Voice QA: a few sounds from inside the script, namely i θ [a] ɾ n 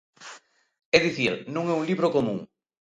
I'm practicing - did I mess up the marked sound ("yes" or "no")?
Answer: yes